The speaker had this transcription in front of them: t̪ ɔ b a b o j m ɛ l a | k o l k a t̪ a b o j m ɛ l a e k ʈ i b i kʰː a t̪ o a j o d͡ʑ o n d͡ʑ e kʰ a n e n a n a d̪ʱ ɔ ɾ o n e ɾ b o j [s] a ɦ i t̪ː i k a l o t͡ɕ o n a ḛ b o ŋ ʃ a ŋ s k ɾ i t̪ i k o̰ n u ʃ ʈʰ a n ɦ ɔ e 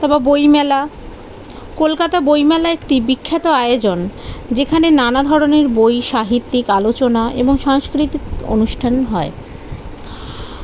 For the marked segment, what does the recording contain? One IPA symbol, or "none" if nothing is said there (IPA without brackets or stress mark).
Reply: ʃ